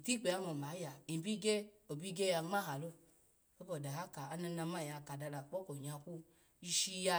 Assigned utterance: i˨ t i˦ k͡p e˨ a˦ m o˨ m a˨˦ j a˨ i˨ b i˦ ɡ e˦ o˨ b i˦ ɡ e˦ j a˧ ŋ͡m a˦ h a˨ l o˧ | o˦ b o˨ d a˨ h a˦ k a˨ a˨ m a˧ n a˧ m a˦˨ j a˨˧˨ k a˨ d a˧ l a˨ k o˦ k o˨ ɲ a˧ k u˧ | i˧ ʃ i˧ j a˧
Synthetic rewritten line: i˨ t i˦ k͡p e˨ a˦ m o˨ m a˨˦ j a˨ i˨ b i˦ ɡ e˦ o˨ b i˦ ɡ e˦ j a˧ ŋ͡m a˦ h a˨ l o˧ | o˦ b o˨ d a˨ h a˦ k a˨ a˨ n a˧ n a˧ m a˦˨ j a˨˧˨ k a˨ d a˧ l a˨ k͡p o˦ k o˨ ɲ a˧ k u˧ | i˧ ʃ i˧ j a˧